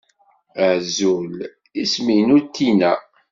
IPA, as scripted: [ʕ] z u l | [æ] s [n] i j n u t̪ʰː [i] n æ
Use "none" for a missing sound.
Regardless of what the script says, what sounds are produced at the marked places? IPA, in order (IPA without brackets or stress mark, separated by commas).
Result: ʕ, i, m, i